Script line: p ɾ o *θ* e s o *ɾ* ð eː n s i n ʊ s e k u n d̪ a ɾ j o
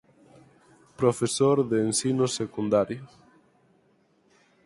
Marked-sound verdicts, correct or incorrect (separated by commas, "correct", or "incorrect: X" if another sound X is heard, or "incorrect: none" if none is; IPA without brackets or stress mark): incorrect: f, correct